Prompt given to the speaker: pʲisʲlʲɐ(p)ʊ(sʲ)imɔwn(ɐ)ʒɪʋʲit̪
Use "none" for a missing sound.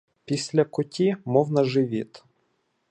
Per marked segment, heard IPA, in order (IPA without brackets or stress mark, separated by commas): k, tʲ, ɐ